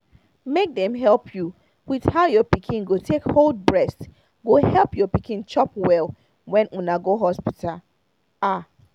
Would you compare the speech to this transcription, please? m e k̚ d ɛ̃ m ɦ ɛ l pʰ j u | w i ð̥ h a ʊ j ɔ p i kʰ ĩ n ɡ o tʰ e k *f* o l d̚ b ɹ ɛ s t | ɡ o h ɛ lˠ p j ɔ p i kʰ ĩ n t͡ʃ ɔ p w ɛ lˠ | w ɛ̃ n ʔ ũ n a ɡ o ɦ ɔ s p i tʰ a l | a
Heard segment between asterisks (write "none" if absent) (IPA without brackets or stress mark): h